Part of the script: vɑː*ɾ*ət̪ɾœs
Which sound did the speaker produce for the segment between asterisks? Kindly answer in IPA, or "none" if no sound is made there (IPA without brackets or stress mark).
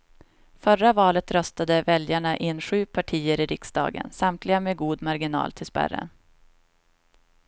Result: l